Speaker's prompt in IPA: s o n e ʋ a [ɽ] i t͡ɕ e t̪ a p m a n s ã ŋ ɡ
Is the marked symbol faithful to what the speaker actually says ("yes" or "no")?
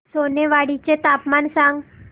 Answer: yes